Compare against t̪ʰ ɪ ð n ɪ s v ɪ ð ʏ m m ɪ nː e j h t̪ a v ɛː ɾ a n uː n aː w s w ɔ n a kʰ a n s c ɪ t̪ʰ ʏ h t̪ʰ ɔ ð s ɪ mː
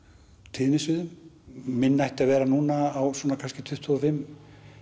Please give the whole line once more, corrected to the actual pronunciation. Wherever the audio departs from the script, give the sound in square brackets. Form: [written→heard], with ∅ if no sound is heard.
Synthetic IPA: t̪ʰ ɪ ð n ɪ s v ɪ ð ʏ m m ɪ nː [e→a] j h t̪ a v ɛː ɾ a n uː n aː w s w ɔ n a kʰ a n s c ɪ t̪ʰ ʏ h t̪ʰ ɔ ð [s→f] ɪ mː